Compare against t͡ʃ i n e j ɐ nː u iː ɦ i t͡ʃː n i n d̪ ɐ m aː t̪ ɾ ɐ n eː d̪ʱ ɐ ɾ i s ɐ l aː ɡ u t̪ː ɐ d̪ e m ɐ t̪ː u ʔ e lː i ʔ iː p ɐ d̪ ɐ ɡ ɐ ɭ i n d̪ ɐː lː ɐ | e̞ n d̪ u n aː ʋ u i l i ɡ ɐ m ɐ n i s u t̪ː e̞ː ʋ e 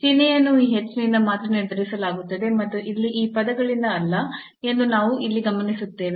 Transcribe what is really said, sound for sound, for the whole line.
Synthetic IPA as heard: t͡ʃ i n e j ɐ nː u iː ɦ e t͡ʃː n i n d̪ ɐ m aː t̪ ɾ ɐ n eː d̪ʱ ɐ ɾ i s ɐ l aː ɡ u t̪ː ɐ d̪ e m ɐ t̪ː u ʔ i lː i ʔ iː p ɐ d̪ ɐ ɡ ɐ ɭ i n d̪ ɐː lː ɐ | e̞ n d̪ u n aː ʋ u i lː i ɡ ɐ m ɐ n i s u t̪ː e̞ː ʋ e

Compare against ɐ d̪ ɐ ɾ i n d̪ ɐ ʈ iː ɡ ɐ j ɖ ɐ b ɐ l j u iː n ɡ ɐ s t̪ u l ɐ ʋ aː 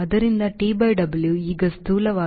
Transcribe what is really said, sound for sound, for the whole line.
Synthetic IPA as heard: ɐ d̪ ɐ ɾ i n d̪ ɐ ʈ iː b ɐ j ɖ ɐ b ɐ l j u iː ɡ ɐ s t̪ uː l ɐ ʋ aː

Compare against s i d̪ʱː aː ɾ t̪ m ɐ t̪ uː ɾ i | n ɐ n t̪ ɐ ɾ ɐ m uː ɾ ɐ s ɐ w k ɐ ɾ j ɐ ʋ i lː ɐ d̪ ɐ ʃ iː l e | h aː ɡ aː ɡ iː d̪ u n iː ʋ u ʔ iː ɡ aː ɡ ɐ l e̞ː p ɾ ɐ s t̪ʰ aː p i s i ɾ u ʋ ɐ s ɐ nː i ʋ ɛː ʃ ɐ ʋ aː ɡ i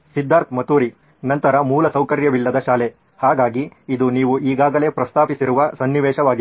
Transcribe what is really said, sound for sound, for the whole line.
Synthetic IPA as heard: s i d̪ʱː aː ɾ t̪ m ɐ t̪ uː ɾ i | n ɐ n t̪ ɐ ɾ ɐ m uː l ɐ s ɐ w k ɐ ɾ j ɐ ʋ i lː ɐ d̪ ɐ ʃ aː l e | h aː ɡ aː ɡ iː d̪ u n iː ʋ u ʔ iː ɡ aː ɡ ɐ l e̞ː p ɾ ɐ s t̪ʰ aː p i s i ɾ u ʋ ɐ s ɐ nː i ʋ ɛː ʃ ɐ ʋ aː ɡ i

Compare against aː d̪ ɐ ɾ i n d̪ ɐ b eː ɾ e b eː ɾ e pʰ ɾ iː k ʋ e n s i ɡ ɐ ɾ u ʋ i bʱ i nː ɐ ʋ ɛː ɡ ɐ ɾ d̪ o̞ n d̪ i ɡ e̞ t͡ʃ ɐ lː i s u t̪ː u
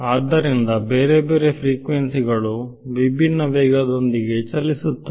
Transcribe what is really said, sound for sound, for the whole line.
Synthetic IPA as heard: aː d̪ ɐ ɾ i n d̪ ɐ b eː ɾ e b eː ɾ e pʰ ɾ iː k ʋ e n s i ɡ ɐ ɭ u ʋ i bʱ i nː ɐ ʋ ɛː ɡ ɐ d̪ o̞ n d̪ i ɡ e̞ t͡ʃ ɐ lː i s u t̪ː u

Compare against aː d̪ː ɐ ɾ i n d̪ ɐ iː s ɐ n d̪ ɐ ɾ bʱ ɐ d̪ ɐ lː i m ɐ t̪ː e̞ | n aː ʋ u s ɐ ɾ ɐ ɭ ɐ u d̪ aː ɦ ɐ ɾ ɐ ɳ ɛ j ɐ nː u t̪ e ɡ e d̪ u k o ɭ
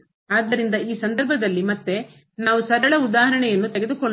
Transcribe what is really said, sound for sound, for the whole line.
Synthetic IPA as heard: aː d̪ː ɐ ɾ i n d̪ ɐ iː s ɐ n d̪ ɐ ɾ bʱ ɐ d̪ ɐ lː i m ɐ t̪ː e̞ | n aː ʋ u s ɐ ɾ ɐ ɭ ɐ u d̪ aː ɦ ɐ ɾ ɐ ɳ ɛ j ɐ nː u t̪ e ɡ e d̪ u k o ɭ

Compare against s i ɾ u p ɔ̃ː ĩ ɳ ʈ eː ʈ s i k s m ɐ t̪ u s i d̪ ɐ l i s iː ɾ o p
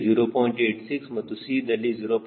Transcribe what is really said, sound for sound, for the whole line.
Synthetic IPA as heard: z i ɾ o p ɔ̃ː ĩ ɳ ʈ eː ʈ s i k s m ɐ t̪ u s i d̪ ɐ l i z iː ɾ o p

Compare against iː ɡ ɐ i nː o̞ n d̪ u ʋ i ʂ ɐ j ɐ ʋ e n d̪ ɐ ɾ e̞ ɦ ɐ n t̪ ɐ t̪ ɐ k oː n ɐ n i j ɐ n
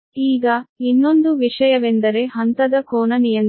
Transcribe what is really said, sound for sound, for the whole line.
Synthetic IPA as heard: iː ɡ ɐ i nː o̞ n d̪ u ʋ i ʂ ɐ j ɐ ʋ e n d̪ ɐ ɾ e̞ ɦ ɐ n t̪ ɐ d̪ ɐ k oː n ɐ n i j ɐ n

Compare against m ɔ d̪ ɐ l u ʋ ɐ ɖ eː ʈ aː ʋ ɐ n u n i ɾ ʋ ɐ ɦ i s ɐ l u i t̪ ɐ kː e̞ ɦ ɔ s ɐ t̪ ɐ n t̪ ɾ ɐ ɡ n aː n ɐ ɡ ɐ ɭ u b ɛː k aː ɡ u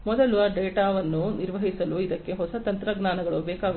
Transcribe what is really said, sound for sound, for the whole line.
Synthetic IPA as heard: m ɔ d̪ ɐ l u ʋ ɐ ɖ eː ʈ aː ʋ ɐ nː u n i ɾ ʋ ɐ ɦ i s ɐ l u i d̪ ɐ kː e̞ ɦ ɔ s ɐ t̪ ɐ n t̪ ɾ ɐ ɡ n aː n ɐ ɡ ɐ ɭ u b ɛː k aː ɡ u

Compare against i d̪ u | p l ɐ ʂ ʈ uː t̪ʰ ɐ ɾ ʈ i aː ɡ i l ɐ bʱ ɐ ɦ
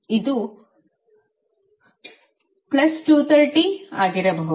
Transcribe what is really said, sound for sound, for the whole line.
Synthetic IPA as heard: i d̪ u | p l ɐ s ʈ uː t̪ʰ ɐ ɾ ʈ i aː ɡ i ɾ ɐ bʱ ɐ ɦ

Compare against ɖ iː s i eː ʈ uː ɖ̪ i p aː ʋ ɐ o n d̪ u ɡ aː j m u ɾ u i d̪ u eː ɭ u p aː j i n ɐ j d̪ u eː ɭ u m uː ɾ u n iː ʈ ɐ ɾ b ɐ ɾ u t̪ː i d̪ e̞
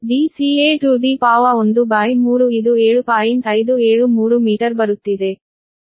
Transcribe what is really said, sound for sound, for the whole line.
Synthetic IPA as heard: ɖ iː s i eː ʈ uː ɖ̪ i p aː ʋ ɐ o n d̪ u b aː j m uː ɾ u i d̪ u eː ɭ u p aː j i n ɐ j d̪ u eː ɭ u m uː ɾ u m iː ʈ ɐ ɾ b ɐ ɾ u t̪ː i d̪ e̞

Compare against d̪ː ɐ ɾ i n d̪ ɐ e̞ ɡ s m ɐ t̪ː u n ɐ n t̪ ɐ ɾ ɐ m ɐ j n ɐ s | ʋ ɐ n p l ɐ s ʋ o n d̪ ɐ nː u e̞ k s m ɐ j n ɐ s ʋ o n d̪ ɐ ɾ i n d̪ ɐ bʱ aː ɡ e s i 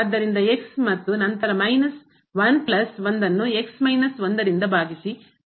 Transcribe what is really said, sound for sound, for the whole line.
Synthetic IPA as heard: d̪ː ɐ ɾ i n d̪ ɐ e̞ k s m ɐ t̪ː u n ɐ n t̪ ɐ ɾ ɐ m ɐ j n ɐ s | ʋ ɐ n p l ɐ s ʋ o n d̪ ɐ nː u e̞ k s m ɐ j n ɐ s ʋ o n d̪ ɐ ɾ i n d̪ ɐ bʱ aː ɡ i s i

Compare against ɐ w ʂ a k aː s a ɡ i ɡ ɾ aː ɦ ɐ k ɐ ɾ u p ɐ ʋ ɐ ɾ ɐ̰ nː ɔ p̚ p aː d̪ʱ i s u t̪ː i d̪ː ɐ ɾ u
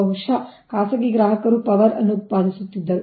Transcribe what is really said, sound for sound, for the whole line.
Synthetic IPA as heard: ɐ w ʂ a k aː s ɐ ɡ i ɡ ɾ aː ɦ ɐ k ɐ ɾ u p ɐ ʋ ɐ ɾ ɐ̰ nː u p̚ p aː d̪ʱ i s u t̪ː i d̪ː ɐ ɾ u

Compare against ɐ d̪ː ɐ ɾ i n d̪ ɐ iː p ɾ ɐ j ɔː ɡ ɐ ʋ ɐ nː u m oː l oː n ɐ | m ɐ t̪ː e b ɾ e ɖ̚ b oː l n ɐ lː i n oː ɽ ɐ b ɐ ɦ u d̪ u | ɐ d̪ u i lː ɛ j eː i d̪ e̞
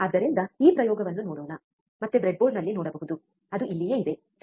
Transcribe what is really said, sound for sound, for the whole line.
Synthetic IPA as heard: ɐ d̪ː ɐ ɾ i n d̪ ɐ iː p ɾ ɐ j ɔː ɡ ɐ ʋ ɐ nː u n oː ɽ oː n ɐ | m ɐ t̪ː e b ɾ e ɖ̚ b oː l n ɐ lː i n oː ɽ ɐ b ɐ ɦ u d̪ u | ɐ d̪ u i lː i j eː i d̪ e̞

